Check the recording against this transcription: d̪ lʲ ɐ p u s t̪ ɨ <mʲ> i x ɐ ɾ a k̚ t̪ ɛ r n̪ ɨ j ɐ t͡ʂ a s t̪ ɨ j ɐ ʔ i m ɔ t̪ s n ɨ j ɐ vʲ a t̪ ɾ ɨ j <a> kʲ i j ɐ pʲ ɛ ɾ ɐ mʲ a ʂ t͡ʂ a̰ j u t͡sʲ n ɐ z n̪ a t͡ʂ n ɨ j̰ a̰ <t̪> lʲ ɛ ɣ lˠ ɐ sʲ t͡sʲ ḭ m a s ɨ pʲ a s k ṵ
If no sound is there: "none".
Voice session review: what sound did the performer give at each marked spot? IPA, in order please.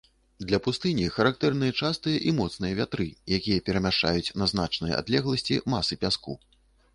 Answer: nʲ, a, d̪

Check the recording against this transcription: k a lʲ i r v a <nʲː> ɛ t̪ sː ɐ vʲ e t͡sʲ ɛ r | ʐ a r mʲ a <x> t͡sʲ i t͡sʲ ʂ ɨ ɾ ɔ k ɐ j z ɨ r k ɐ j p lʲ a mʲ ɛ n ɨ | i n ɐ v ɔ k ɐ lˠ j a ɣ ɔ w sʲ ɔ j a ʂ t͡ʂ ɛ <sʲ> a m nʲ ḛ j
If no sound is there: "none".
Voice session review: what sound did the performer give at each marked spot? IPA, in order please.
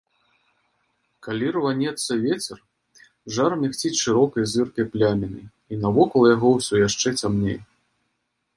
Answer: nʲ, x, t͡sʲ

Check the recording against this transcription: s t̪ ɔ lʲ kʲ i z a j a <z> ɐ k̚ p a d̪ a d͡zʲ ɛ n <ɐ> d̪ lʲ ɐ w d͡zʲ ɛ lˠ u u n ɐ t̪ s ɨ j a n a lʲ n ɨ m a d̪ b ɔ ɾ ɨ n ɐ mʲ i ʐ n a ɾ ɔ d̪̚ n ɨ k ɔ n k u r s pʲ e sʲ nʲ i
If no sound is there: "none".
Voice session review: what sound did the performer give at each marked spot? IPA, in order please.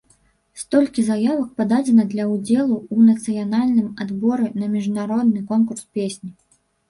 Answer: v, ɐ

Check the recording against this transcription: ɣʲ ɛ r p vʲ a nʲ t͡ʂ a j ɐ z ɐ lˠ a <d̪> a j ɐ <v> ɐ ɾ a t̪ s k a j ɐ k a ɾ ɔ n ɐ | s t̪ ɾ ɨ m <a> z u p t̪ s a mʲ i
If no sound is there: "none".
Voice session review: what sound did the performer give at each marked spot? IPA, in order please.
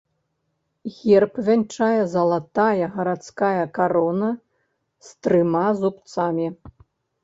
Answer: t̪, ɣ, a

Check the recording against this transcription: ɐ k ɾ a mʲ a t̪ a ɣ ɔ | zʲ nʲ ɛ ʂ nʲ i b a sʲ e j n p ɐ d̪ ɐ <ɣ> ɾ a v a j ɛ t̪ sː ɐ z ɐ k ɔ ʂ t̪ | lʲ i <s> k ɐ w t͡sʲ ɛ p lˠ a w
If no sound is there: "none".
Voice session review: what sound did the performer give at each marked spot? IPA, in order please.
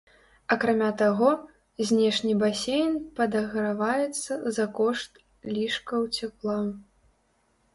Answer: ɣ, ʂ

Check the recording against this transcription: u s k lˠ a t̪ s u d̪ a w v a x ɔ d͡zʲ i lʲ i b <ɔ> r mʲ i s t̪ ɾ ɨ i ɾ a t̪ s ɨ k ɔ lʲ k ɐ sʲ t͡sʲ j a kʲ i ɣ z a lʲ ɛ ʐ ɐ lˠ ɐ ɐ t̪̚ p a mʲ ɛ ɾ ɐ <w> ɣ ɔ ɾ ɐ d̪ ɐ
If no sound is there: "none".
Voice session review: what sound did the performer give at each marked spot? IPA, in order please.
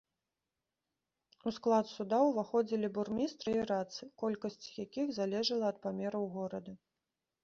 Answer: u, w

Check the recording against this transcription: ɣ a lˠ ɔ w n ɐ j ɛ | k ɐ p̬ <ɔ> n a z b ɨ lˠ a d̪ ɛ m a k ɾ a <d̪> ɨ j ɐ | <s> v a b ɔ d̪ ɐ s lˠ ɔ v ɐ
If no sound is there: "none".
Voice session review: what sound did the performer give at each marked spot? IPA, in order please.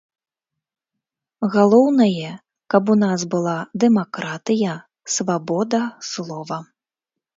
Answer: u, t̪, s

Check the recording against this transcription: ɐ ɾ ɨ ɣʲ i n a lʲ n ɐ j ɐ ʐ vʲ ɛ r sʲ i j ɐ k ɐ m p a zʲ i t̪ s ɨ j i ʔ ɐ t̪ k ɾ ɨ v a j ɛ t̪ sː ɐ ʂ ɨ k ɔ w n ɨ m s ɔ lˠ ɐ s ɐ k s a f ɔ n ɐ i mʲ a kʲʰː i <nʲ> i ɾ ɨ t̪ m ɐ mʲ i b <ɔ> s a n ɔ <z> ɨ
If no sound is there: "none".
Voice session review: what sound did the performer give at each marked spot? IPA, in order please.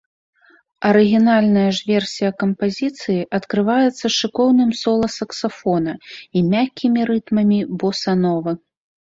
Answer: mʲ, ɔ, v

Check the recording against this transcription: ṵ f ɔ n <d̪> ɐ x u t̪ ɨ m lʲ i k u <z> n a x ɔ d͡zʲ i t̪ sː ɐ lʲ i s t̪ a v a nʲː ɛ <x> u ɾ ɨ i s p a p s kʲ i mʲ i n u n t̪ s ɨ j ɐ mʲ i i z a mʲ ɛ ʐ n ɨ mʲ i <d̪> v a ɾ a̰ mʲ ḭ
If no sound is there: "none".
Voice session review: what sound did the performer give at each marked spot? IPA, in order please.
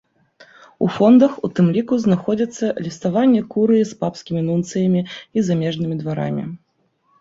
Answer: d̪, z, k, d̪

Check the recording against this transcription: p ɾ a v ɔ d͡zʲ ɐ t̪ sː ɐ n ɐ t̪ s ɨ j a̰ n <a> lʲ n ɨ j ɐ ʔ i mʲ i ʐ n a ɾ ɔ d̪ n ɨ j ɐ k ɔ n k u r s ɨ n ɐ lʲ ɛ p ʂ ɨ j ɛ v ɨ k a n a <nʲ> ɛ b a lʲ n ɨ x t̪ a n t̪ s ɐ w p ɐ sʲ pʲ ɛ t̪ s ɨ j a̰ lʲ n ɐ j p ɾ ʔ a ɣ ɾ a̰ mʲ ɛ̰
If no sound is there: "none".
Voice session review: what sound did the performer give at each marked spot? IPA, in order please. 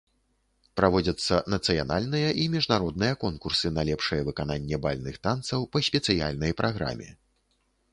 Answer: a, nʲː

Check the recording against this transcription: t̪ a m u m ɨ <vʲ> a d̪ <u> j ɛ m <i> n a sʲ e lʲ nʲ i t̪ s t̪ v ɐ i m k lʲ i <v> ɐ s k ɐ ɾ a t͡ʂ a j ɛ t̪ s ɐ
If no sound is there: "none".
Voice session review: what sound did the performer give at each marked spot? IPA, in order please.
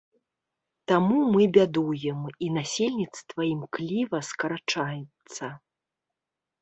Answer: bʲ, u, i, v

